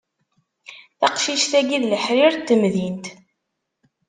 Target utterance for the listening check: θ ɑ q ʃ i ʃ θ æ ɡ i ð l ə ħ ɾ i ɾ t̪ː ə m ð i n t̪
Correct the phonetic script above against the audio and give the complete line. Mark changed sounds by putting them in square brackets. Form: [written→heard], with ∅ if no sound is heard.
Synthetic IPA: θ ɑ q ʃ i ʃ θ æ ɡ i ð l ə ħ ɾ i ɾ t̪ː ə m ð i n t̪